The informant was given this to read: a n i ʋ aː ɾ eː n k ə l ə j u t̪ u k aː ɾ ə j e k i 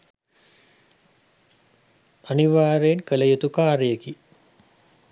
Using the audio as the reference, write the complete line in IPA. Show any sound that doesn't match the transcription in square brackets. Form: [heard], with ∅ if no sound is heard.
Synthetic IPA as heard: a n i ʋ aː ɾ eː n k ə l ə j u t̪ u k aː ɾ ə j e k i